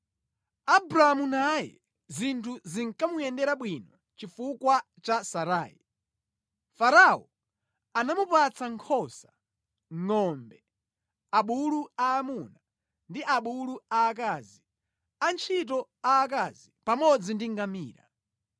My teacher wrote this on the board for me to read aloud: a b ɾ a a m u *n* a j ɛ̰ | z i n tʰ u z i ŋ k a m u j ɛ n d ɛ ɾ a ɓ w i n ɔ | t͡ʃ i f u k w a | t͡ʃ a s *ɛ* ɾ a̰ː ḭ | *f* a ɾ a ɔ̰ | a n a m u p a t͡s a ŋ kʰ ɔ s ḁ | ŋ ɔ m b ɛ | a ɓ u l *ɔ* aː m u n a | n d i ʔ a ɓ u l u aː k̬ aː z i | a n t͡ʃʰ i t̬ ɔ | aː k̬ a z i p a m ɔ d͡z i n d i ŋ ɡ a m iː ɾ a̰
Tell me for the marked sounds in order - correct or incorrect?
correct, incorrect: a, correct, incorrect: u

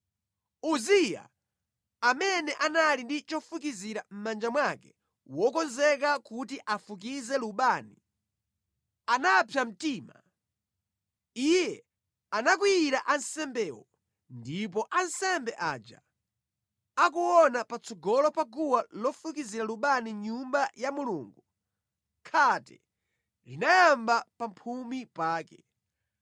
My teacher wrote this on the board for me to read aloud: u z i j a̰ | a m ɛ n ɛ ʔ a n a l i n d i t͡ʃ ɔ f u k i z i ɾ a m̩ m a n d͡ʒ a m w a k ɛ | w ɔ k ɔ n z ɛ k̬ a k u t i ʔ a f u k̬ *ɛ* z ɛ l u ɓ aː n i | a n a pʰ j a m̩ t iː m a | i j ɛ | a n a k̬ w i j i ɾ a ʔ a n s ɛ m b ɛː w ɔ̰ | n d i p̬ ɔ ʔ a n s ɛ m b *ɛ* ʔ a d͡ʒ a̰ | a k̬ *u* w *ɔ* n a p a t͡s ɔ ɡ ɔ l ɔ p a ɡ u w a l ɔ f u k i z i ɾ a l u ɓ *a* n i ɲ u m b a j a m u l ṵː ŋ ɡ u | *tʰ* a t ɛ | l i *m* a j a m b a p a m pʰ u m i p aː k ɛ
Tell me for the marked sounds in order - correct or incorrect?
incorrect: i, correct, correct, correct, correct, incorrect: kʰ, incorrect: n

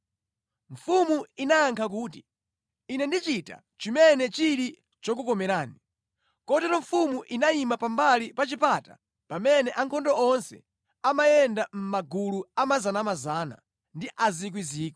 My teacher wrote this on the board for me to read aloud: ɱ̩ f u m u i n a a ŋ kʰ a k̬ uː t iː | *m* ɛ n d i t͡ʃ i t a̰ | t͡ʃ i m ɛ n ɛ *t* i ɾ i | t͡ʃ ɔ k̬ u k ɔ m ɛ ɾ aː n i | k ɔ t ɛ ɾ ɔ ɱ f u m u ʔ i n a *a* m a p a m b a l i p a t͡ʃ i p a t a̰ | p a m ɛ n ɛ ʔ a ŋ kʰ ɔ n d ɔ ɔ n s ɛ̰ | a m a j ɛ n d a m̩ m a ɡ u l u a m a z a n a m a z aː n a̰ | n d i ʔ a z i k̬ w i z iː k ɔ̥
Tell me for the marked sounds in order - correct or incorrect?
incorrect: n, incorrect: t͡ʃ, incorrect: i

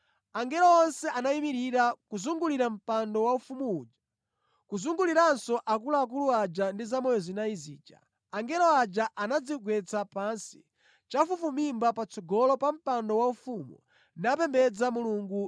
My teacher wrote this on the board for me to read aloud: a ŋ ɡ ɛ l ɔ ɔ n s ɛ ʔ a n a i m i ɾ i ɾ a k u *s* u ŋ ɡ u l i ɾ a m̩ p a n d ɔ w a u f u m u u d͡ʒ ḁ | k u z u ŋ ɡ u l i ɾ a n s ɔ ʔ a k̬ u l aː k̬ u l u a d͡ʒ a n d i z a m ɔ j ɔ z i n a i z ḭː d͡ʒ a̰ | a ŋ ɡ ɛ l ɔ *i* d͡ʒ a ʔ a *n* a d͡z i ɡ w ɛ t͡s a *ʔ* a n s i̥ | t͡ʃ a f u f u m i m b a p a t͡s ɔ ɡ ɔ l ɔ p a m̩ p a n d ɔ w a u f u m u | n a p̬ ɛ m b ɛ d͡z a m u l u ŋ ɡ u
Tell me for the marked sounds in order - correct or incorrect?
incorrect: z, incorrect: a, correct, incorrect: p

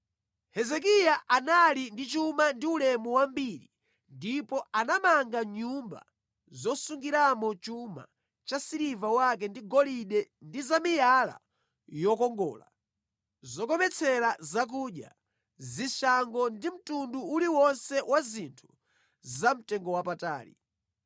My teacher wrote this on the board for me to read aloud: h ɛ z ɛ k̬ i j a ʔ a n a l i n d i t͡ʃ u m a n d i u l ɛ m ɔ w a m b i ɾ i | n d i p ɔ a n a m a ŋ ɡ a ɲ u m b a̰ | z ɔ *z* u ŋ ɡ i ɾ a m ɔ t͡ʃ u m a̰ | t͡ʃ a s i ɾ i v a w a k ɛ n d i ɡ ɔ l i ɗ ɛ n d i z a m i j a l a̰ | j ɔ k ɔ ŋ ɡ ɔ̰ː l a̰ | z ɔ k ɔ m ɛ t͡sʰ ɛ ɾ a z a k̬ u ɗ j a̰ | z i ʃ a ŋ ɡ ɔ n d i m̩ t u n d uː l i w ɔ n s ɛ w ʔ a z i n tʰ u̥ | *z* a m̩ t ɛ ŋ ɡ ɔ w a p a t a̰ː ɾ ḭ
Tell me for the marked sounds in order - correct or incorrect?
incorrect: s, correct

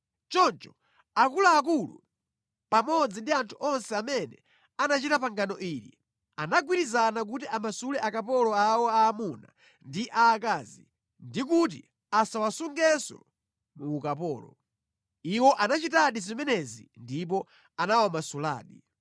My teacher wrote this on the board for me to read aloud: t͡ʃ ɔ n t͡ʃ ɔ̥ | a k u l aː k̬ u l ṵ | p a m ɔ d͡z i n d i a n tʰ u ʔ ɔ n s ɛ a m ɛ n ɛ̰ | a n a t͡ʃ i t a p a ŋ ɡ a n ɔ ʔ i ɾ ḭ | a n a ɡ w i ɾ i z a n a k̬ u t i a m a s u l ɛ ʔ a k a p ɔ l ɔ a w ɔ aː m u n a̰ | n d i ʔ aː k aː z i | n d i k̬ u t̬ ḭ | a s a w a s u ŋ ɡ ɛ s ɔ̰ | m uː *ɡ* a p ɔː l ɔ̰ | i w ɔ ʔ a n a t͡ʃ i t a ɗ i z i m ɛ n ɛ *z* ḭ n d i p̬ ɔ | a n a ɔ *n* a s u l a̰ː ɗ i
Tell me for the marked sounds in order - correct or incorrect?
incorrect: k, correct, incorrect: m

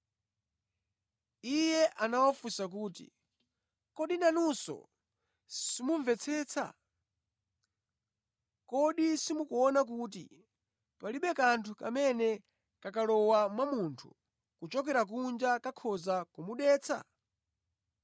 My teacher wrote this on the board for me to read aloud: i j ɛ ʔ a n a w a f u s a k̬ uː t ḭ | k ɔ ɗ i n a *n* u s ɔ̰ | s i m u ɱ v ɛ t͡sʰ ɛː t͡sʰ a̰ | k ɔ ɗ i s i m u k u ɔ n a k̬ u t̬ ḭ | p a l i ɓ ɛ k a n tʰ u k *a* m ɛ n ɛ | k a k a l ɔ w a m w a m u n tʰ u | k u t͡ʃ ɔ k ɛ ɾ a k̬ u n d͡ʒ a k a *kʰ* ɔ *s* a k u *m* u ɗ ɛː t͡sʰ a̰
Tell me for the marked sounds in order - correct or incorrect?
correct, correct, correct, incorrect: z, correct

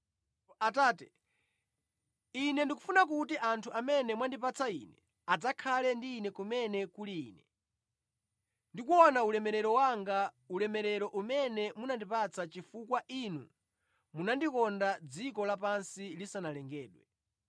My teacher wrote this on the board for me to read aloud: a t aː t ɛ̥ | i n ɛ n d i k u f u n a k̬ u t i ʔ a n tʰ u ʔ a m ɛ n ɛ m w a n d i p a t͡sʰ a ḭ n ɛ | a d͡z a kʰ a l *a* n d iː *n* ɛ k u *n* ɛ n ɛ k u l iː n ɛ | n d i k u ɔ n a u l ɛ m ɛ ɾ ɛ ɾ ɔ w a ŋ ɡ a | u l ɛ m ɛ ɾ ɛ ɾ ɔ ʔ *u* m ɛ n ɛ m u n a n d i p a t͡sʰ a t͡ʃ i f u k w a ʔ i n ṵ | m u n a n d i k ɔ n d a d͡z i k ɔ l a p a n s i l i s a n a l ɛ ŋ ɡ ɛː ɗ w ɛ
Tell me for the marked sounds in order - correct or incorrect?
incorrect: ɛ, correct, incorrect: m, correct

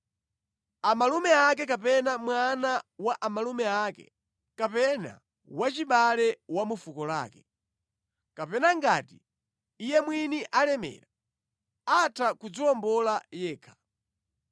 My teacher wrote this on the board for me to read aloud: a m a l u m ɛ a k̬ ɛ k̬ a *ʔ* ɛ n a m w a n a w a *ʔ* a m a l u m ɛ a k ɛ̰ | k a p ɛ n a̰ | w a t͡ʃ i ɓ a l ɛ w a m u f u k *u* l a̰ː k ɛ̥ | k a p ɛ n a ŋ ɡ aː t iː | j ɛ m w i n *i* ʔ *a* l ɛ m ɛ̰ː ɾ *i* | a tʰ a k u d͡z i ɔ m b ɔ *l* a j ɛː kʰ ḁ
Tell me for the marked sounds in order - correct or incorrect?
incorrect: p, correct, incorrect: ɔ, correct, correct, incorrect: a, correct

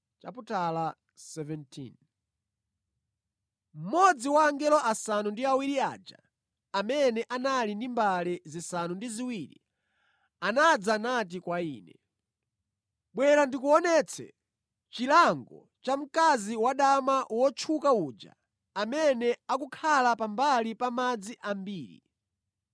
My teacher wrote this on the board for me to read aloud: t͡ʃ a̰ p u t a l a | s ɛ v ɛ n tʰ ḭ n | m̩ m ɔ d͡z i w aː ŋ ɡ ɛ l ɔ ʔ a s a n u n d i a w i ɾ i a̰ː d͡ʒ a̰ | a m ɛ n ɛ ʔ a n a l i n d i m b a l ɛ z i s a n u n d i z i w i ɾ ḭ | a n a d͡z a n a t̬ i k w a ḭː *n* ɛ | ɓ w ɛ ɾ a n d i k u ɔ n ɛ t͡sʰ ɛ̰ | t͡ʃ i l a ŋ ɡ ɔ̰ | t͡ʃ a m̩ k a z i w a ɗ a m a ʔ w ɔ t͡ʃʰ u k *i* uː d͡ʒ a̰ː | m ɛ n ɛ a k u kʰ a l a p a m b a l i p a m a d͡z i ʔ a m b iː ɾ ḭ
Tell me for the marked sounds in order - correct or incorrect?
correct, incorrect: a

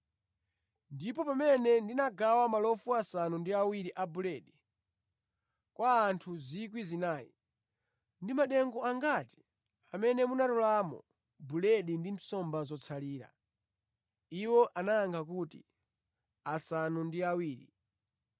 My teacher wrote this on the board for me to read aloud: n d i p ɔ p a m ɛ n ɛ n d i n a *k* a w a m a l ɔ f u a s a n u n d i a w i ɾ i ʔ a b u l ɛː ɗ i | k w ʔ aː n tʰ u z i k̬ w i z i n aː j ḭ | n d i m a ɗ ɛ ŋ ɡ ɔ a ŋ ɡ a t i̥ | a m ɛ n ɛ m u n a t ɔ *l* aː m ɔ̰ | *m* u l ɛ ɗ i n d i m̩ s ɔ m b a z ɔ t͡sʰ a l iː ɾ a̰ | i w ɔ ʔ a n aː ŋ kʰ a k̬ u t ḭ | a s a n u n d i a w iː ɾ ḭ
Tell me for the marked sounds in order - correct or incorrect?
incorrect: ɡ, correct, incorrect: b

